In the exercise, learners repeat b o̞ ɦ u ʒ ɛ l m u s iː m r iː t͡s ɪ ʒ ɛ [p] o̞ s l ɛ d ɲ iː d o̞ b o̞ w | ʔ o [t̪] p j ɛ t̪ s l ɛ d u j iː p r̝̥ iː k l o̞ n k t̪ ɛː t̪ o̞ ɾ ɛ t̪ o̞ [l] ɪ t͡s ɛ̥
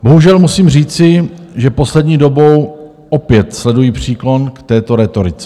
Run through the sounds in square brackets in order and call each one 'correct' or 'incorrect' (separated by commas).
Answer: correct, incorrect, incorrect